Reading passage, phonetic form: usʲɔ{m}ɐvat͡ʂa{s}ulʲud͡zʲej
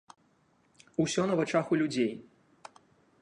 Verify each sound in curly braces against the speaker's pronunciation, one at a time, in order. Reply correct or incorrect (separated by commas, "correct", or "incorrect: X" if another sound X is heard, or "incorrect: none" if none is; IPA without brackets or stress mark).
incorrect: n, incorrect: x